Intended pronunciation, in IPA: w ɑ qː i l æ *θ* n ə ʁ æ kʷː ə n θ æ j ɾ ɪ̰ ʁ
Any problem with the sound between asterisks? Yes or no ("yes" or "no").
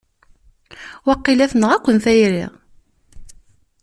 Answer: no